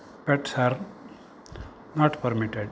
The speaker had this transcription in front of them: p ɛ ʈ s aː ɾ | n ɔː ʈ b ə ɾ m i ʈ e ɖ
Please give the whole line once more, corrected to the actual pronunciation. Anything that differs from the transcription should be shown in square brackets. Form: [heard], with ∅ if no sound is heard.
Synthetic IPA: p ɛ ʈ s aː ɾ | n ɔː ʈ [p] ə ɾ m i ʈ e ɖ

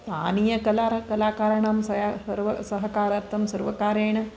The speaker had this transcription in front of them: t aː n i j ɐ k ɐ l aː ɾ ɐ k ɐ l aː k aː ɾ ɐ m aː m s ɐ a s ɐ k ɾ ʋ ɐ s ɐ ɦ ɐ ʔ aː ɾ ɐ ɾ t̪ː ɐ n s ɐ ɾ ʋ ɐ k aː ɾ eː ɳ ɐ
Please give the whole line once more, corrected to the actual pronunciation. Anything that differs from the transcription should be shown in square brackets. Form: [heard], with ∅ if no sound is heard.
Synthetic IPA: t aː n i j ɐ k ɐ l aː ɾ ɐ k ɐ l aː k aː ɾ ɐ [ɳ] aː m s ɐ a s ɐ [∅] ɾ ʋ ɐ s ɐ ɦ ɐ [k] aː ɾ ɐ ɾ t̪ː ɐ [m] s ɐ ɾ ʋ ɐ k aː ɾ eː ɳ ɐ

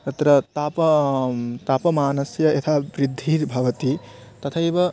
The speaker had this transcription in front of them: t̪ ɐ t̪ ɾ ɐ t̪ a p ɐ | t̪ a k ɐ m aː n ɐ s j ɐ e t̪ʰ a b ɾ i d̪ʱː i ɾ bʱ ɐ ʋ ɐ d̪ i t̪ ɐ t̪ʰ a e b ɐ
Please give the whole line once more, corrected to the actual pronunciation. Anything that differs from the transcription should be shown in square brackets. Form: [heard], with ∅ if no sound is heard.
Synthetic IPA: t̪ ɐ t̪ ɾ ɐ t̪ a p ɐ | t̪ a [p] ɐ m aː n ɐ s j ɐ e t̪ʰ a b ɾ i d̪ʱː i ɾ bʱ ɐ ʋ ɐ [t̪] i t̪ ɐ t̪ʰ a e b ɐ

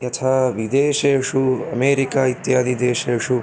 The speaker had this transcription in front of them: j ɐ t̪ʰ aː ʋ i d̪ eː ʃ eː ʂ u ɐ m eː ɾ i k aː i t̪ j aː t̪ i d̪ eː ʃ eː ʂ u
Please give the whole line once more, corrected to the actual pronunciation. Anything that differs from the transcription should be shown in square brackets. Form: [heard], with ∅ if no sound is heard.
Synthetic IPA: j ɐ t̪ʰ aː ʋ i d̪ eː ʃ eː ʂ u ɐ m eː ɾ i k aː i t̪ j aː [d̪] i d̪ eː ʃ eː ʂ u

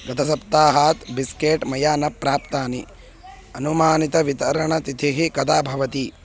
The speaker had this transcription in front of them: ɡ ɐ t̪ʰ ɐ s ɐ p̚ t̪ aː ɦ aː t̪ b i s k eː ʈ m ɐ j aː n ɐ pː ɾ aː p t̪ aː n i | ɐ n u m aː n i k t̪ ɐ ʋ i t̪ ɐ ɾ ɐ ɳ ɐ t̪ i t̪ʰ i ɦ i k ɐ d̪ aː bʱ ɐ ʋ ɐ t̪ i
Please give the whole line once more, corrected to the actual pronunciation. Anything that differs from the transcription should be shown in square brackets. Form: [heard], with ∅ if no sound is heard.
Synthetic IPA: ɡ ɐ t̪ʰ ɐ s ɐ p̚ t̪ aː ɦ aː t̪ b i s k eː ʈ m ɐ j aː n ɐ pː ɾ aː p t̪ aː n i | ɐ n u m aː n i [∅] t̪ ɐ ʋ i t̪ ɐ ɾ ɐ ɳ ɐ t̪ i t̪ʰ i ɦ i k ɐ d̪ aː bʱ ɐ ʋ ɐ t̪ i

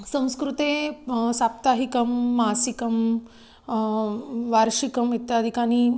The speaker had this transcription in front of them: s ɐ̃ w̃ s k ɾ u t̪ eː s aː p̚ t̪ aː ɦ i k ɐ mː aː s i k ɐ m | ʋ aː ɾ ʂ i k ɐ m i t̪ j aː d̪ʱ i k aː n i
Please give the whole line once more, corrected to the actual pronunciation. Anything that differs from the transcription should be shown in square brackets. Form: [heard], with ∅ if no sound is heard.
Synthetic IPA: s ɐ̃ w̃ s k ɾ u t̪ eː s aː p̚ t̪ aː ɦ i k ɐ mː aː s i k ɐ m | ʋ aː ɾ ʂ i k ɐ m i t̪ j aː d̪ʱ i k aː n i

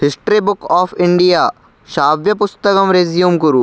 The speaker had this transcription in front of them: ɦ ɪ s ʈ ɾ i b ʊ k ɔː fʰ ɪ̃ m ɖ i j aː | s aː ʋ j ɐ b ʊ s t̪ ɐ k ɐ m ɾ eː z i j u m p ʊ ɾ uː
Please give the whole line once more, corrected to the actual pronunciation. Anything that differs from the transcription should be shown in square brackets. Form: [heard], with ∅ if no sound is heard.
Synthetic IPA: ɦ ɪ s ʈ ɾ i b ʊ k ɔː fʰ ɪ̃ [ɳ] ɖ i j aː | [ʃ] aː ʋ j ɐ [p] ʊ s t̪ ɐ k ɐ m ɾ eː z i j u m [k] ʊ ɾ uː

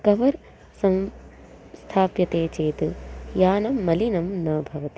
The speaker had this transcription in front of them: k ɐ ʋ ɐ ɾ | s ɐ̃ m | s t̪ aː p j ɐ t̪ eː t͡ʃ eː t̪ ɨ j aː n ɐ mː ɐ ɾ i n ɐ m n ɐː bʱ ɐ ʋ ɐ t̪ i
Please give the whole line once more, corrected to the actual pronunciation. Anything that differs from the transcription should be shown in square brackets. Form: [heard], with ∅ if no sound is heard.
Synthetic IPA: k ɐ ʋ ɐ ɾ | s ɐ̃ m | s [t̪ʰ] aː p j ɐ t̪ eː t͡ʃ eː t̪ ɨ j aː n ɐ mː ɐ [l] i n ɐ m n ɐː bʱ ɐ ʋ ɐ t̪ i

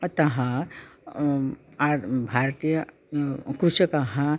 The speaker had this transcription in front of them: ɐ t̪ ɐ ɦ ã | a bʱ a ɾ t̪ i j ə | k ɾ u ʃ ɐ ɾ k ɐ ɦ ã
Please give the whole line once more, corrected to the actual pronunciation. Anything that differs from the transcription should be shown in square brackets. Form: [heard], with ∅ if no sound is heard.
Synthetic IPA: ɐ t̪ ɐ ɦ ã | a bʱ a ɾ t̪ i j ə | k ɾ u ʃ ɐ [∅] k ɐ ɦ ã

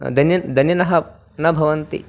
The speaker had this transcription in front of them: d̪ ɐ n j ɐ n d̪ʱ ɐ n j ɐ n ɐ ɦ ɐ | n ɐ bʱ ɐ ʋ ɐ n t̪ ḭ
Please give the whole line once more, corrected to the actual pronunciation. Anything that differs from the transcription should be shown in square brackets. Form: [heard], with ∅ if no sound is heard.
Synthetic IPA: d̪ ɐ n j ɐ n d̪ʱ ɐ n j ɐ n ɐ ɦ ɐ | n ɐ bʱ ɐ ʋ ɐ n t̪ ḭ

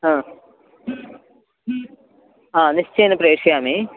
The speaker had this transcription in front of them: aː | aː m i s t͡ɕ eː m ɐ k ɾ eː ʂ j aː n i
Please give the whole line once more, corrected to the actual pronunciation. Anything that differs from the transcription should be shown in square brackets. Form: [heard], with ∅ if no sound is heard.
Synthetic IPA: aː | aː [n] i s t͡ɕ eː [n] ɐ [p] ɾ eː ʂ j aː [m] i

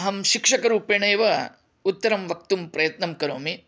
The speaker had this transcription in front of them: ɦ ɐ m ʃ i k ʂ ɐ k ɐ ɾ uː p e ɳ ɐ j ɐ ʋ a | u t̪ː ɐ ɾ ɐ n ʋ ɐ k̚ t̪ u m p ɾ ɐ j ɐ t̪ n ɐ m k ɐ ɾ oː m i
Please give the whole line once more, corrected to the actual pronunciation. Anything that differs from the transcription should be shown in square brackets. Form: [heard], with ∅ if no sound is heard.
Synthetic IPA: ɦ ɐ m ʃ i k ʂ ɐ k ɐ ɾ uː p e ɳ ɐ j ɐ ʋ [ɐ] | u t̪ː ɐ ɾ ɐ [m] ʋ ɐ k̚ t̪ u m p ɾ ɐ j ɐ t̪ n ɐ m k ɐ ɾ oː m i

